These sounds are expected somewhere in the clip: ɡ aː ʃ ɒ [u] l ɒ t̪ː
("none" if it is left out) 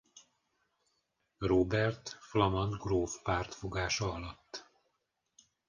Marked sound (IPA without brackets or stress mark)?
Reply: ɒ